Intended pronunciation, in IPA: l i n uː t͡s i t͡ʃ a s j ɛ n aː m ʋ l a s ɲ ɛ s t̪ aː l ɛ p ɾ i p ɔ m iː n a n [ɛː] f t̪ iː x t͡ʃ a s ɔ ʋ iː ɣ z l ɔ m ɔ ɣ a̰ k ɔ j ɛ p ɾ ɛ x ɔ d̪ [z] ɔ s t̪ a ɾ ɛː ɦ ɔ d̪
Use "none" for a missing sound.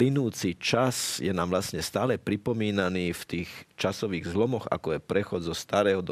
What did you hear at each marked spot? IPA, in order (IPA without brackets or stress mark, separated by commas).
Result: iː, z